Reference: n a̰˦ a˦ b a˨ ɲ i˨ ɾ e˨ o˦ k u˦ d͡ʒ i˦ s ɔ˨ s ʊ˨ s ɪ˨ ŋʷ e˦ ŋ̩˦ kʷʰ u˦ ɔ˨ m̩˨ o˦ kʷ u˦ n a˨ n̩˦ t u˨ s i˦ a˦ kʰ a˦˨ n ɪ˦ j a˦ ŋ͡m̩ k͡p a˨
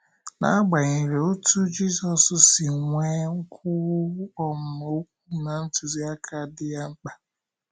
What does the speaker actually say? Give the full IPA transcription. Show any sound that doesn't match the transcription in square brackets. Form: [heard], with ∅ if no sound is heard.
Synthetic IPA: n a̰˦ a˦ [ɡ͡b] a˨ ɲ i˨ ɾ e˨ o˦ [t] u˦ d͡ʒ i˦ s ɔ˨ s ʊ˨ s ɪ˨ ŋʷ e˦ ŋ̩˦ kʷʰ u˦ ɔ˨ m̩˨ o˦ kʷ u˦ n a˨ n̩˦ t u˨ [z] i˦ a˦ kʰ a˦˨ [d] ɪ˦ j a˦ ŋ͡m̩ k͡p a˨